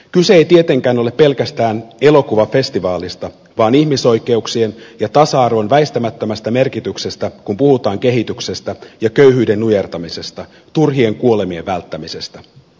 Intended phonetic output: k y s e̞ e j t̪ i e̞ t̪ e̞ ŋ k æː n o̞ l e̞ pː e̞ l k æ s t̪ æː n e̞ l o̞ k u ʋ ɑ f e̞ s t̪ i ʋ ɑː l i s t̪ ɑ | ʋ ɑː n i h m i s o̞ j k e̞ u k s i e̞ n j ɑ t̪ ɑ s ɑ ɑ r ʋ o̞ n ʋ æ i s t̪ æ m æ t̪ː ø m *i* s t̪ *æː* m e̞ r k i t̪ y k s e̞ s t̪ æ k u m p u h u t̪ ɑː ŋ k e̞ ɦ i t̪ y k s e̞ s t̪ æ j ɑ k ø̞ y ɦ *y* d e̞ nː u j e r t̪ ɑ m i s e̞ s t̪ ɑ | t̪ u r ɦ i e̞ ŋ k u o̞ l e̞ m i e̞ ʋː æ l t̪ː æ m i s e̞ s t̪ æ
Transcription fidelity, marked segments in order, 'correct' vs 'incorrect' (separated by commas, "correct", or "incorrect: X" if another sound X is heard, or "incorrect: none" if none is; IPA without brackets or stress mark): incorrect: æ, incorrect: æ, incorrect: yː